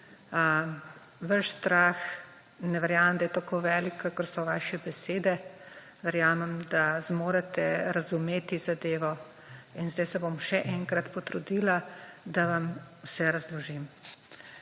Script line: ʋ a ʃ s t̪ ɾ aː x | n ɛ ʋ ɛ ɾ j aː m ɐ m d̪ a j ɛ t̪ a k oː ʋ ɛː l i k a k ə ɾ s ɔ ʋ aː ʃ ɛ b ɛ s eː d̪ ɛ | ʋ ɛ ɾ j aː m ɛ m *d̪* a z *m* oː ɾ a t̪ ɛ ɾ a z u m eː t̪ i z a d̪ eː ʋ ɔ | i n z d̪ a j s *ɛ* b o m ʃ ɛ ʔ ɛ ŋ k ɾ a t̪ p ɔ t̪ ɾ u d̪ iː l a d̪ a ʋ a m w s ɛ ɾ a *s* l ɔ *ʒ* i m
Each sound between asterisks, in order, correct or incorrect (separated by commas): correct, correct, correct, incorrect, correct